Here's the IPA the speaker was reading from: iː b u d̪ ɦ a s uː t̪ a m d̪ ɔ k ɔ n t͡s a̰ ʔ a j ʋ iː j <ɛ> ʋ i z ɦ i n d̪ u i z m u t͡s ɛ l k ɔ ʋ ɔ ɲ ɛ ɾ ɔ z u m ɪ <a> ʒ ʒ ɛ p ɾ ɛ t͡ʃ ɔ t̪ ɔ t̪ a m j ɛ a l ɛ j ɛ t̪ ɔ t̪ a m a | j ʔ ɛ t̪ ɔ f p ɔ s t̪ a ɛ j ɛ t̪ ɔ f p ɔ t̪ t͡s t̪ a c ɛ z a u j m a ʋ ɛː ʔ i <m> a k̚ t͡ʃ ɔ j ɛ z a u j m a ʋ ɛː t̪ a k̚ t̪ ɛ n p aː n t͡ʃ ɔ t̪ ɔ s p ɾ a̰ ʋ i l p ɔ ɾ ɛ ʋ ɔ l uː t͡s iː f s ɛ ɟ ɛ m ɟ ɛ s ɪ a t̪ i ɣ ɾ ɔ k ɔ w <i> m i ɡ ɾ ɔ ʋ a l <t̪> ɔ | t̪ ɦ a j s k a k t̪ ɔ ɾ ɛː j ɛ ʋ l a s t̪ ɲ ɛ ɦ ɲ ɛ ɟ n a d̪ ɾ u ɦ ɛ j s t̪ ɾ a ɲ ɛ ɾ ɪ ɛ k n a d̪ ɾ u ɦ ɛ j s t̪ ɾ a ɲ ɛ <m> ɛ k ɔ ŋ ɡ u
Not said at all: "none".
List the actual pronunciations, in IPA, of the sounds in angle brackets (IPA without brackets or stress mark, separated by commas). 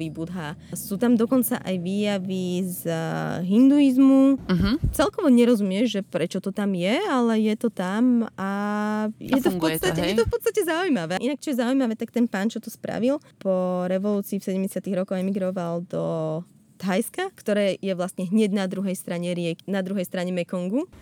a, ɛ, n, ɛ, d̪, m